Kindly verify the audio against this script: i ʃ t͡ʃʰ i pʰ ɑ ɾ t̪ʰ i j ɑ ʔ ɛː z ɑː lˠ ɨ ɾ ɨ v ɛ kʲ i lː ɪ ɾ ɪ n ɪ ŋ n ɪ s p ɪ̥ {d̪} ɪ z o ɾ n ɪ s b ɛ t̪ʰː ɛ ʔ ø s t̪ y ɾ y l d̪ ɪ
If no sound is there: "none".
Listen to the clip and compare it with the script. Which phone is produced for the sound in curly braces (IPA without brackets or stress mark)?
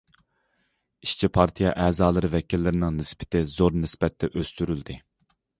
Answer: t̪